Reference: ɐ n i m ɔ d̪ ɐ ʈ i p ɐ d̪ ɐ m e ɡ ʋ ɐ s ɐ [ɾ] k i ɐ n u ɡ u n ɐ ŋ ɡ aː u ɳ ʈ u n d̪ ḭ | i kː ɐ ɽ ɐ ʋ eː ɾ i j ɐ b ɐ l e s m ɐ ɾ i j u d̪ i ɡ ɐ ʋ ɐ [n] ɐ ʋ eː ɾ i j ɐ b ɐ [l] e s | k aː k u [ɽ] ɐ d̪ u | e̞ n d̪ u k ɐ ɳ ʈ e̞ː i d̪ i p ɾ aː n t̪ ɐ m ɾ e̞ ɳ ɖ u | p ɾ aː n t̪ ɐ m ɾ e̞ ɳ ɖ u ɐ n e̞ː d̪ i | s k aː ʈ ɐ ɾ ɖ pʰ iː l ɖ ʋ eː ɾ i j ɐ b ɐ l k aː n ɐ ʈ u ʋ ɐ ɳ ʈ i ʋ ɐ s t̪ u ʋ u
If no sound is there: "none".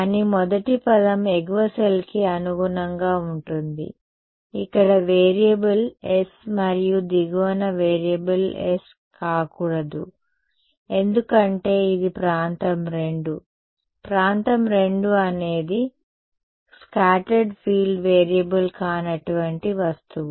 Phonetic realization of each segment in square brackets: l, n, l, ɽ

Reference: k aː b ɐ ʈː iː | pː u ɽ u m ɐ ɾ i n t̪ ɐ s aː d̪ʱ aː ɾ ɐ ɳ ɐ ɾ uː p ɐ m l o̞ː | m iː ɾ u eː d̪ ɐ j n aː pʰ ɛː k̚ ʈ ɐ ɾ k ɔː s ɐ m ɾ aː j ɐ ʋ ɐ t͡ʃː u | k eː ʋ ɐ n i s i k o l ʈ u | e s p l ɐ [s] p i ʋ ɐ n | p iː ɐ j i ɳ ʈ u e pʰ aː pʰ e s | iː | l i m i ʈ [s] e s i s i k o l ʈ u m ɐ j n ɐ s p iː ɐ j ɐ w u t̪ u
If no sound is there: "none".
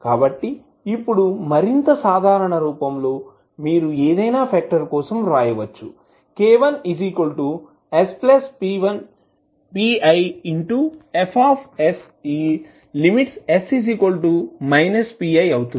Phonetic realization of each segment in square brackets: s, s

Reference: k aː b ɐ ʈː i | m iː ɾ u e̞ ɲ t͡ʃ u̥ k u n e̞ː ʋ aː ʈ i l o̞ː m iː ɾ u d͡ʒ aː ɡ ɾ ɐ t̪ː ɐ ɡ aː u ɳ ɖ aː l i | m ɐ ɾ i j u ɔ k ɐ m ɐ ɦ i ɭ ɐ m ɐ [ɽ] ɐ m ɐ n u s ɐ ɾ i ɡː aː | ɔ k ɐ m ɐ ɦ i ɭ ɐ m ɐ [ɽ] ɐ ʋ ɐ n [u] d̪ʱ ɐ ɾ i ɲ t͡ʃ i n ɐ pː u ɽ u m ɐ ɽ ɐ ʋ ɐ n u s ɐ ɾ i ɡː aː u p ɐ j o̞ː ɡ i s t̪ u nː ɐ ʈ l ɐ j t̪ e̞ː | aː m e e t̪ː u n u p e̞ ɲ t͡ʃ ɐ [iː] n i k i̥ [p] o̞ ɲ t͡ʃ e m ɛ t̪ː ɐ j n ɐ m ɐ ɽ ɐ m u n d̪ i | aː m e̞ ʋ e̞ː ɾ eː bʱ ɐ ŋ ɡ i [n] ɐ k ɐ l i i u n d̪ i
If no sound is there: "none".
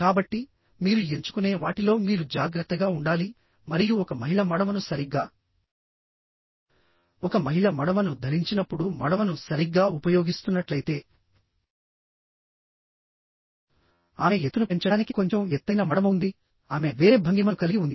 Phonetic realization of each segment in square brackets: ɽ, ɽ, u, aː, k, m

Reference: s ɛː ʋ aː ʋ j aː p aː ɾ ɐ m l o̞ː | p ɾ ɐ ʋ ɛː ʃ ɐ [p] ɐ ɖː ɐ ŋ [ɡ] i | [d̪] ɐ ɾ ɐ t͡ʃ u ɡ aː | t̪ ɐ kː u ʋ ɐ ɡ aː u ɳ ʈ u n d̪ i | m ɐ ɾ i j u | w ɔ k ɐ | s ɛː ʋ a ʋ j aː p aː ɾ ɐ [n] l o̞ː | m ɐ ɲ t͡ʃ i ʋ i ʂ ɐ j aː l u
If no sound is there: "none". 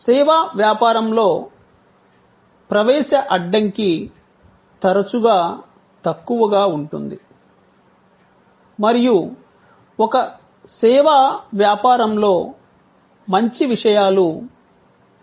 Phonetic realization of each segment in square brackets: ʔ, k, t̪, m

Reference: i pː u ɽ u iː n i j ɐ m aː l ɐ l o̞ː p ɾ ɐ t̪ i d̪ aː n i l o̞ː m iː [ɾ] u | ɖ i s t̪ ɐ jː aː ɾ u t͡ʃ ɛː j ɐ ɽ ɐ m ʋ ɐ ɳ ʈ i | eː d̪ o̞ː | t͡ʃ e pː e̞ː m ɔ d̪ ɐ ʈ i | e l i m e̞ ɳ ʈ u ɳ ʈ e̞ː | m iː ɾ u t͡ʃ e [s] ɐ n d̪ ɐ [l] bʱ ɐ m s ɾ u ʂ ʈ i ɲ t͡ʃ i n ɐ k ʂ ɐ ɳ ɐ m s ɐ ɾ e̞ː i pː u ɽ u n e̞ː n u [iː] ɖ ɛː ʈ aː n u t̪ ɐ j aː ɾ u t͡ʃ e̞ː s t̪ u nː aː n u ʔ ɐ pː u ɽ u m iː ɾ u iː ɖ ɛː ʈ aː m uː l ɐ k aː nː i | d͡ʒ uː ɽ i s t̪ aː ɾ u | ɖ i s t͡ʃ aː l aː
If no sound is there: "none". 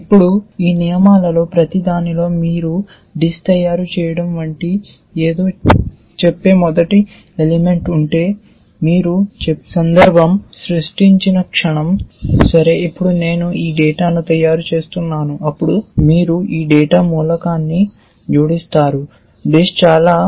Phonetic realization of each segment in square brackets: ɾ, s, ɾ, iː

